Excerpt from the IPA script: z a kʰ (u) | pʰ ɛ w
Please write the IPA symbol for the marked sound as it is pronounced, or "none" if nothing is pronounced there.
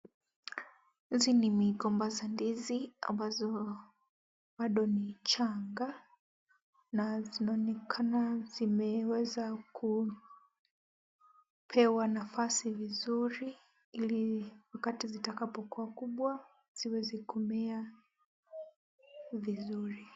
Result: u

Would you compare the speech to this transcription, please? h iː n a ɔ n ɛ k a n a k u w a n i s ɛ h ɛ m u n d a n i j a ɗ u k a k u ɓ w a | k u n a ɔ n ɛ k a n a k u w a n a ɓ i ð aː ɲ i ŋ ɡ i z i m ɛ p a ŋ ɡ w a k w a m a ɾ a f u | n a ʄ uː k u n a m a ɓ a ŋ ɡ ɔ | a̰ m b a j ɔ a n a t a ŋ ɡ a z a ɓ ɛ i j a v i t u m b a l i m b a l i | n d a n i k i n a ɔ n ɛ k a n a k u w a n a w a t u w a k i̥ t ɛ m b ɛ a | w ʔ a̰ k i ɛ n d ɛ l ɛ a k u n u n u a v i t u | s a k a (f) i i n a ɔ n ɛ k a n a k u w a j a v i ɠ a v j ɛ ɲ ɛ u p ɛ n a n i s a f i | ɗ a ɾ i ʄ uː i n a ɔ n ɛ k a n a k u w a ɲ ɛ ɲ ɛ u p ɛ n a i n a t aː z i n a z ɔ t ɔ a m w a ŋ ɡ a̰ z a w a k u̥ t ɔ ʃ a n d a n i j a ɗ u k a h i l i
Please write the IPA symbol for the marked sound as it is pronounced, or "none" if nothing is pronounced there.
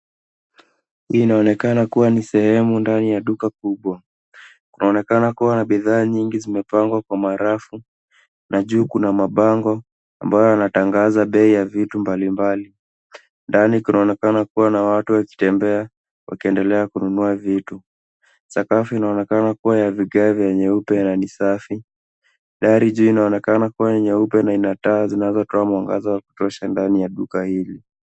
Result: f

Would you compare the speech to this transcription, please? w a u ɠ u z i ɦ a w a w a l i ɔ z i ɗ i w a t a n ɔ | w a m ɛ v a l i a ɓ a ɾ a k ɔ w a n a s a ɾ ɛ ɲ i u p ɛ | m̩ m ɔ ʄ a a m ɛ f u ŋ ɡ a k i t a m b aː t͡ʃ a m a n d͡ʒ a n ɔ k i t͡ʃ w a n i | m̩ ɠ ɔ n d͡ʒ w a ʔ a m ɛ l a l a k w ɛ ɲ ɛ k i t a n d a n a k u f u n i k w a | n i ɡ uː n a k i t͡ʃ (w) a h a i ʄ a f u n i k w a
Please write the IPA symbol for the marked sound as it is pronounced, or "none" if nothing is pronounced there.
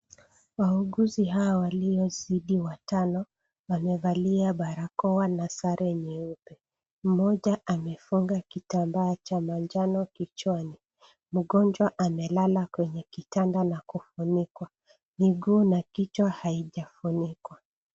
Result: w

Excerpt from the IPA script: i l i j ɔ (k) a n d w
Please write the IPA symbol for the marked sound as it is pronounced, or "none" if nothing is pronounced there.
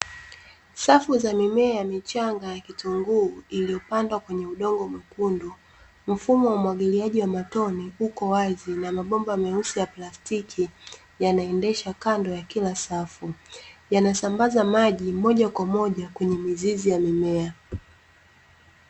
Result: p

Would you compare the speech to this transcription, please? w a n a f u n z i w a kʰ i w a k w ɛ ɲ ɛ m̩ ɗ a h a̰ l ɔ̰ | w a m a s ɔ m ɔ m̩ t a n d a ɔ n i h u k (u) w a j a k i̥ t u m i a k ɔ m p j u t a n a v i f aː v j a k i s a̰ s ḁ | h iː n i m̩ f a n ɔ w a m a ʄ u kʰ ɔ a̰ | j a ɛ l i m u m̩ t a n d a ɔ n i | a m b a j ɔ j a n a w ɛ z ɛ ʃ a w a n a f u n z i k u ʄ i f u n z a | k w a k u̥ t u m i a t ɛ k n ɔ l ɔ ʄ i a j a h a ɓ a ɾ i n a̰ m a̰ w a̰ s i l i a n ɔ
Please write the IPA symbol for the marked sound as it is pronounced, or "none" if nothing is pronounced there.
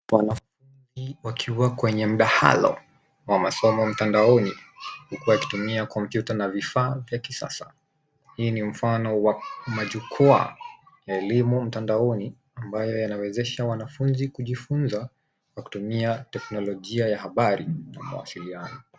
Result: u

